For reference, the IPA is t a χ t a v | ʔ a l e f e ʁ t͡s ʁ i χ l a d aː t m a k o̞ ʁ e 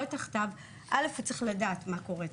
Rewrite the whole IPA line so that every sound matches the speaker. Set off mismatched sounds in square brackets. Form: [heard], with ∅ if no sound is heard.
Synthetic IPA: t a χ t a v | ʔ a l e f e [∅] t͡s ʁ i χ l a d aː t m a k o̞ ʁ e

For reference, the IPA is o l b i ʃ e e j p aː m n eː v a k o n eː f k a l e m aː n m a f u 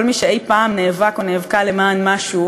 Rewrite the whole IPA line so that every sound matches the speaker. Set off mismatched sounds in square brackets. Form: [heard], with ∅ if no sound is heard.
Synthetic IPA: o l [m] i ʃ e e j p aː m n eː v a k o n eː [v] k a l e m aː n m a [ʃ] u

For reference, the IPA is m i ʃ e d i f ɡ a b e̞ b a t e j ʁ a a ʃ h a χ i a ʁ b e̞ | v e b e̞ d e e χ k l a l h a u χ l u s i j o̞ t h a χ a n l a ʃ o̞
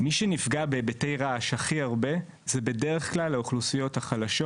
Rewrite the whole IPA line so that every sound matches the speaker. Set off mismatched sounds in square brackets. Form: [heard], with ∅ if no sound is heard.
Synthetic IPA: m i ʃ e [n] i f ɡ a b e̞ b [e] t e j ʁ a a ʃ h a χ i a ʁ b e̞ | [z] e b e̞ d e e χ k l a l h a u χ l u s i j o̞ t h a χ a [∅] l a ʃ o̞

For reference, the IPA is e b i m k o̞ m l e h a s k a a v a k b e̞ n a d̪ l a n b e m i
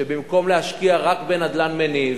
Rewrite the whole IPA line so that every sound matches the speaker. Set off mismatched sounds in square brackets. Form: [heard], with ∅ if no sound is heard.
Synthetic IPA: e b i m k o̞ m l e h a [ʃ] k [i] a [ʁ] a k b e̞ n a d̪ l a n [m] e [n] i

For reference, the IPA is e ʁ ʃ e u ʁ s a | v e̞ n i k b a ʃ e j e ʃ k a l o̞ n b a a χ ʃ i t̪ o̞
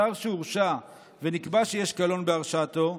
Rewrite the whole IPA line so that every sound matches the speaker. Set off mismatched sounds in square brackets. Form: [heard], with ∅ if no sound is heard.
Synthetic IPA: [a] ʁ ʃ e u ʁ [ʃ] a | v e̞ n i k b a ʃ e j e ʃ k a l o̞ n b [e] a [ʁ] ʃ [a] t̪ o̞

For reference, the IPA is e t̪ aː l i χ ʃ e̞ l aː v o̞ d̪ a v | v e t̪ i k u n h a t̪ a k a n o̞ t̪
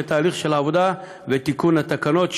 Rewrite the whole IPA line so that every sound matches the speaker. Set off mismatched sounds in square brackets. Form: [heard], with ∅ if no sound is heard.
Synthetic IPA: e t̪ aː l i χ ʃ e̞ l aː v o̞ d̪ a [∅] | v e t̪ i k u n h a t̪ a k a n o̞ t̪

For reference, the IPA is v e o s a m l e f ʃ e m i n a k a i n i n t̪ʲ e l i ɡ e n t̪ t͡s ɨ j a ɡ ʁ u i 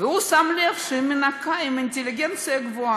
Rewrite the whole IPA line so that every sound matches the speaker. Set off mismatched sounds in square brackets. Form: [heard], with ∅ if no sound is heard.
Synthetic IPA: v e [u] s a m l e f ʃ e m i n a k a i [m] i n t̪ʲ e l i ɡ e n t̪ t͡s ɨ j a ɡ [v] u [a]

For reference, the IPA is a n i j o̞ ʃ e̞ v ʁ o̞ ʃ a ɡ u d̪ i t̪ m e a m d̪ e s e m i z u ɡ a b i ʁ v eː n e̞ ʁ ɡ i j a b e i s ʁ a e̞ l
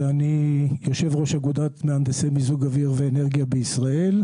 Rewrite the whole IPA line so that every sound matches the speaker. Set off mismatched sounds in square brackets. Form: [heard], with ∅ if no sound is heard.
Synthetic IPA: a n i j o̞ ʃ e̞ v ʁ o̞ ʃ a ɡ u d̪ [a] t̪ m e a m d̪ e s e m i z u ɡ a [v] i ʁ v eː n e̞ ʁ ɡ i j a b e i s ʁ a e̞ l

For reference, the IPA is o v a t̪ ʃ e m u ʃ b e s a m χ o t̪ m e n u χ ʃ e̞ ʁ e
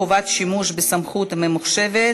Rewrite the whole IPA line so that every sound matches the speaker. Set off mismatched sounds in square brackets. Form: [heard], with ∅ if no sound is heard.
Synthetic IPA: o v a t̪ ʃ [i] m u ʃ b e s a m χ [u] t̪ m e [m] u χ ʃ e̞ [v] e

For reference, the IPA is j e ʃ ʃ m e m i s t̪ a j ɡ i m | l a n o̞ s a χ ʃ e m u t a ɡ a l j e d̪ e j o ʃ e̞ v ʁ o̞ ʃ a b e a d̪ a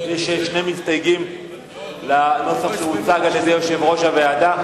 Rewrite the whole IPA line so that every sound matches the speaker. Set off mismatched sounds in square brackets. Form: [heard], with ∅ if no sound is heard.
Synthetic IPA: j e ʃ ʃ [n] e m i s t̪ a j ɡ i m | l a n o̞ s a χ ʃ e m u [t͡s] a ɡ a l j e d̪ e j o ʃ e̞ v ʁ o̞ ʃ a [v] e a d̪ a

